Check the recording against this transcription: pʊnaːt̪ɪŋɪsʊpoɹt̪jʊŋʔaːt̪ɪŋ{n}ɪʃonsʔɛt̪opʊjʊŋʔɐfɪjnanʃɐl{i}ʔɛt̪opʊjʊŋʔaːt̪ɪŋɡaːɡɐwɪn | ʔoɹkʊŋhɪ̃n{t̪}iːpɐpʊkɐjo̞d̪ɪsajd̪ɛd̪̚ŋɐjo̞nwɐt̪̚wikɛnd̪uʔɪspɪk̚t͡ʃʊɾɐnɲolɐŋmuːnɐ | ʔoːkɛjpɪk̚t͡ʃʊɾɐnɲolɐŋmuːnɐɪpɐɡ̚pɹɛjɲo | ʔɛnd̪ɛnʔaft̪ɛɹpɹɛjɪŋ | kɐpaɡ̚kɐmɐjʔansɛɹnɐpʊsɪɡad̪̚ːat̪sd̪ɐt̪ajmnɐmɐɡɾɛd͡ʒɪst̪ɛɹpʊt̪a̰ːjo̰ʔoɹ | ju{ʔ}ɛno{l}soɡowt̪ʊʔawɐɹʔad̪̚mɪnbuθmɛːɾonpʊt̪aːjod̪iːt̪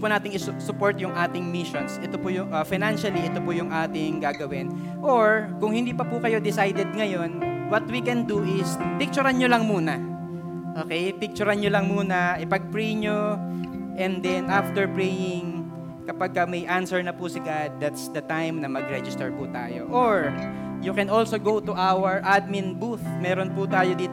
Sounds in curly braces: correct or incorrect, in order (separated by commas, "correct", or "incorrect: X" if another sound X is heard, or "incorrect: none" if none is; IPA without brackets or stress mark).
incorrect: m, correct, incorrect: d̪, incorrect: k, correct